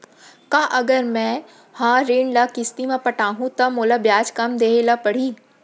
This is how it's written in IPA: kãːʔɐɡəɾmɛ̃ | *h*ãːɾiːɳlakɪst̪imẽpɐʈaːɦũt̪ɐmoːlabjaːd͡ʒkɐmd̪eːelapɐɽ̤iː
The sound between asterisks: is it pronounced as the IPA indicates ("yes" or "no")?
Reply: yes